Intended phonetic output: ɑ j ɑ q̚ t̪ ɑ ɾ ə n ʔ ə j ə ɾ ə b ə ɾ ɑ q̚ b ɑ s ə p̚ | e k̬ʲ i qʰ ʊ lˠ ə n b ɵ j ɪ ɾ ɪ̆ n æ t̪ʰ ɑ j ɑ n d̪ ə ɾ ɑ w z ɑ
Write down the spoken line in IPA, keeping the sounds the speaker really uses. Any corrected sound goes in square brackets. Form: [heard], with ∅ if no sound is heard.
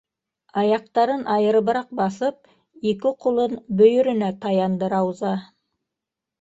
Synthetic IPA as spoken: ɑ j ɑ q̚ t̪ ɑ ɾ ə n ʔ [ɑ] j ə ɾ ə b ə ɾ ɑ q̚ b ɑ s ə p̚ | e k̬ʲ [ɪ] qʰ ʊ lˠ ə n b ɵ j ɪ ɾ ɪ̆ n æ t̪ʰ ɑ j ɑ n d̪ ə ɾ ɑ w z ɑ